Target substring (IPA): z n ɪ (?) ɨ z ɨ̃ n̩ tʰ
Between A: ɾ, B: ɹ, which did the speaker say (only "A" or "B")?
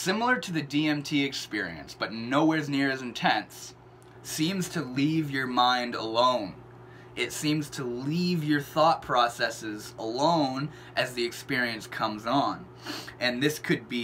B